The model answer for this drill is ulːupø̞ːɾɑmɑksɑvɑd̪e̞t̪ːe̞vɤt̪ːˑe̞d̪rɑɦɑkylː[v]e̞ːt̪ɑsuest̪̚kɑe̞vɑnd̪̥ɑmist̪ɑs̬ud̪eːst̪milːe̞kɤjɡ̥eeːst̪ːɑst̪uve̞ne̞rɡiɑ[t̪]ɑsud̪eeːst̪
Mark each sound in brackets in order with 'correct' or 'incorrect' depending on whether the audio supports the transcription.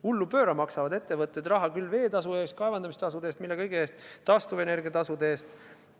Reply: correct, correct

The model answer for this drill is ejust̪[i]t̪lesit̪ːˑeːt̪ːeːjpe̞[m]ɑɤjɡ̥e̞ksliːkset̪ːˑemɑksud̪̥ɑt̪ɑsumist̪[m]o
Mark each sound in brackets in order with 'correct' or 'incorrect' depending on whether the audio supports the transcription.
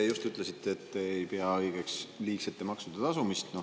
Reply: incorrect: y, incorrect: none, incorrect: n

